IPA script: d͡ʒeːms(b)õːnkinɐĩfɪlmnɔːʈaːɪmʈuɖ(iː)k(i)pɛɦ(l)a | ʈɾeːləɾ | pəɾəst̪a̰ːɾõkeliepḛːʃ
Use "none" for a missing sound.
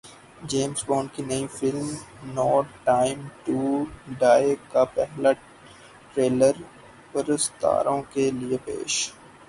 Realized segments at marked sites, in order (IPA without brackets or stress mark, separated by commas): b, aː, a, l